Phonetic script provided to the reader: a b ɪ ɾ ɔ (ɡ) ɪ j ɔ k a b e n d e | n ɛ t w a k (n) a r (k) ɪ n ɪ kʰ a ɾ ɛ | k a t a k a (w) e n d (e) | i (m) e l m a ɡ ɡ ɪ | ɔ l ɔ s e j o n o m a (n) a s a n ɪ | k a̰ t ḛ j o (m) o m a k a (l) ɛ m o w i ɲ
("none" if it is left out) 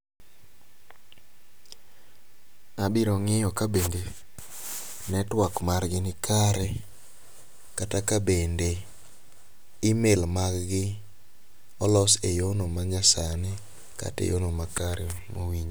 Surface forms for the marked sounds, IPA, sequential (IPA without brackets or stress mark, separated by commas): ŋ, m, ɡ, b, e, m, ɲ, n, ɾ